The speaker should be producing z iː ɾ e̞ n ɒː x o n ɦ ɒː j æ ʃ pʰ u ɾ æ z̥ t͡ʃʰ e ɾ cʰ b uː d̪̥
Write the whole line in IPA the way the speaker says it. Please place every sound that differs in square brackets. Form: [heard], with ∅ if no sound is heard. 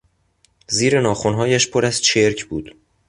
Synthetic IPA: z iː ɾ e̞ n ɒː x o n ɦ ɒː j æ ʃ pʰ [o] ɾ æ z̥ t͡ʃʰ e ɾ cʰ b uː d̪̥

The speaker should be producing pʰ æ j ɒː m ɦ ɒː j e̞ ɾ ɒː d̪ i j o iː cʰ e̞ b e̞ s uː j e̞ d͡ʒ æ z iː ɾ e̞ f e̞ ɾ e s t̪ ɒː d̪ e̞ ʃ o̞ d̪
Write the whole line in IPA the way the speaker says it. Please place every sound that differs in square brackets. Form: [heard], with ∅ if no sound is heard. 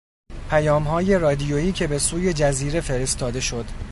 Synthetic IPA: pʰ æ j ɒː m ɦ ɒː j e̞ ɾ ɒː d̪ i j o iː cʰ e̞ b e̞ s uː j e̞ d͡ʒ æ z iː ɾ e̞ f e̞ ɾ e s t̪ ɒː d̪ e̞ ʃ o̞ d̪

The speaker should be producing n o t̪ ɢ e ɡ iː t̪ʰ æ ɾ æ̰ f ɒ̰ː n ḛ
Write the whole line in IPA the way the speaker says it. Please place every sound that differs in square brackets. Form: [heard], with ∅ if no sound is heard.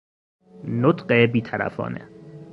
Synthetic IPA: n o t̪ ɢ e [b] iː t̪ʰ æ ɾ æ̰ f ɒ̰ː n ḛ

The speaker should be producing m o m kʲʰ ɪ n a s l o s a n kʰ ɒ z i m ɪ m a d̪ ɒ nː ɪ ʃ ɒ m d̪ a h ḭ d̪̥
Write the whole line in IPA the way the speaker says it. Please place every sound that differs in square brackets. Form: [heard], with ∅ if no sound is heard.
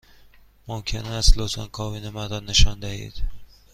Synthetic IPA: m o m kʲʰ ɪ n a s l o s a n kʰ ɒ [v] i [n] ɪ m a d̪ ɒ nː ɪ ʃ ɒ [n] d̪ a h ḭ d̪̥

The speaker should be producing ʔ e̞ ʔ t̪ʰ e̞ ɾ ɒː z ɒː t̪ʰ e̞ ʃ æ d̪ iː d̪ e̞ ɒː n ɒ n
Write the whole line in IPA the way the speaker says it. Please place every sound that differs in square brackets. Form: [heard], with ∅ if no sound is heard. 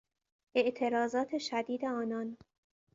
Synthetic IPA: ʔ e̞ ʔ t̪ʰ e̞ ɾ ɒː z ɒː t̪ʰ e̞ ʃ æ d̪ iː d̪ e̞ ɒː n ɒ n

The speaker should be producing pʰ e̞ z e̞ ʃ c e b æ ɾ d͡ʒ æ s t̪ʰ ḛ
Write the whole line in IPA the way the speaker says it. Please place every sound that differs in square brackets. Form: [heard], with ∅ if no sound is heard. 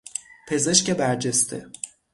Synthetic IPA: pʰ e̞ z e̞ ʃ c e b æ ɾ d͡ʒ [e] s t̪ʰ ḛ

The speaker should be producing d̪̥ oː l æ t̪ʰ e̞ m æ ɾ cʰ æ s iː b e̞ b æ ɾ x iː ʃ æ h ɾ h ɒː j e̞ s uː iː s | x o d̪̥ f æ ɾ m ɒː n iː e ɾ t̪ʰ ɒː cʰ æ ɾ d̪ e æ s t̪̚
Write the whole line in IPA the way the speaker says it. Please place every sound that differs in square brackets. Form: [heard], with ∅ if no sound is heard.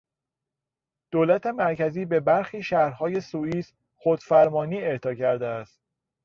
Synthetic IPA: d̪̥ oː l æ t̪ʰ e̞ m æ ɾ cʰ æ [z] iː b e̞ b æ ɾ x iː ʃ æ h ɾ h ɒː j e̞ s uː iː s | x o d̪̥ f æ ɾ m ɒː n iː e ɾ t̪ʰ ɒː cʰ æ ɾ d̪ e æ s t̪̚

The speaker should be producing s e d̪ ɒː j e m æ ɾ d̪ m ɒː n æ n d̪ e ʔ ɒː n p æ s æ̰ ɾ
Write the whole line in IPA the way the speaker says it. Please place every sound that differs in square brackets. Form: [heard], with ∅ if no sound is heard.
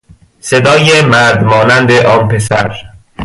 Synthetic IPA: s e d̪ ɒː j e m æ ɾ d̪ m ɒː n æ n d̪ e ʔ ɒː n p [e] s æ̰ ɾ

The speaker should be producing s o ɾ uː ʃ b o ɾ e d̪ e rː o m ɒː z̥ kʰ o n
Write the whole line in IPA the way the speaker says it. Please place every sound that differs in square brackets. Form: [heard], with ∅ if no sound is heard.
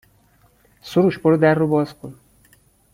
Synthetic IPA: s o ɾ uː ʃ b o ɾ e d̪ [æ] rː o [b] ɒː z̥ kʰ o n

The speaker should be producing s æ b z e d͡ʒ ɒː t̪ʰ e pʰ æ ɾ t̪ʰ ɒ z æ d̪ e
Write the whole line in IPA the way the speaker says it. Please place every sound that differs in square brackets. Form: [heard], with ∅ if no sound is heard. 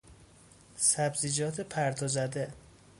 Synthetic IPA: s æ b z [i] d͡ʒ ɒː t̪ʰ e pʰ æ ɾ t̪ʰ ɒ z æ d̪ e

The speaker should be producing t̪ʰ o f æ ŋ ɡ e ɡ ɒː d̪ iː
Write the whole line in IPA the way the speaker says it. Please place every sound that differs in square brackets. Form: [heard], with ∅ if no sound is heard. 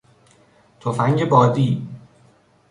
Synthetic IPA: t̪ʰ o f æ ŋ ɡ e [b] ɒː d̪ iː

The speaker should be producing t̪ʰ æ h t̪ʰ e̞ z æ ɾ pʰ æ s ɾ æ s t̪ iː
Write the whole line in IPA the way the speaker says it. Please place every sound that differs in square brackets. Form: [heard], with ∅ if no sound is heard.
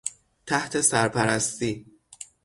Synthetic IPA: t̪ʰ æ h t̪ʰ e̞ [s] æ ɾ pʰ æ [∅] ɾ æ s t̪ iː

